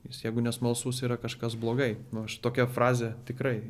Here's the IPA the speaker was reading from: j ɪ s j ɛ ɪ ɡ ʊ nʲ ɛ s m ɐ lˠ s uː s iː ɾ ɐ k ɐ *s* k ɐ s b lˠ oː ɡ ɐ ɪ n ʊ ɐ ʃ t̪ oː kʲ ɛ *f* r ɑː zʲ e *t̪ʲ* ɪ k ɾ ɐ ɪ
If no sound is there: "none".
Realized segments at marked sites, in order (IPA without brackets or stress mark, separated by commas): ʃ, f, t̪ʲ